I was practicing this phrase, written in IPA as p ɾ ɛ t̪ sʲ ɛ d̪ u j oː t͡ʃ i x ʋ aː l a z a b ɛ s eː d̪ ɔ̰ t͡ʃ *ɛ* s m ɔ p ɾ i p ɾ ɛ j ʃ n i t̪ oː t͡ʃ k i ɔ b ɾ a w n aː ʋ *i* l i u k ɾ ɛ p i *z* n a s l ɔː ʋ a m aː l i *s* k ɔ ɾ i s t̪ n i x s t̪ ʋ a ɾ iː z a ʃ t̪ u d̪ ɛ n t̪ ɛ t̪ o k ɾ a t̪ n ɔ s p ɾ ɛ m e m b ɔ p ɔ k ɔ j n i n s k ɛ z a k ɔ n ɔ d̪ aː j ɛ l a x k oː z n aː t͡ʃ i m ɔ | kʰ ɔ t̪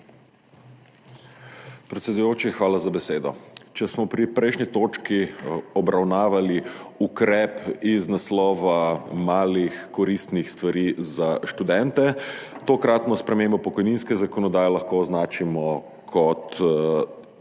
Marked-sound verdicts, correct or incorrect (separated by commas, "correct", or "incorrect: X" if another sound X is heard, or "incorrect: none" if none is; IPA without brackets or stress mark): correct, incorrect: a, correct, incorrect: x